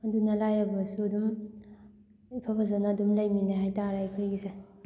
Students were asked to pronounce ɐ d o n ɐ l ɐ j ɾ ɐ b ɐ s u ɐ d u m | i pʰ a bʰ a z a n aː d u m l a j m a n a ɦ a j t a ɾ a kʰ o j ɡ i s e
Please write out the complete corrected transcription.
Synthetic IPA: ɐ d u n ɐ l a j ɾ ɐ b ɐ s u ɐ d u m | i pʰ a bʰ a z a n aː d u m l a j m i n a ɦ a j t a ɾ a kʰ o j ɡ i s e